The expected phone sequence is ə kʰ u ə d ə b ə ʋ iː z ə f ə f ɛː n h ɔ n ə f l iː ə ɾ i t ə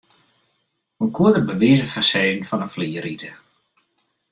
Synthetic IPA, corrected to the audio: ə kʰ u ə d ə b ə ʋ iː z ə f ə s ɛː n f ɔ n ə f l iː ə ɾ i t ə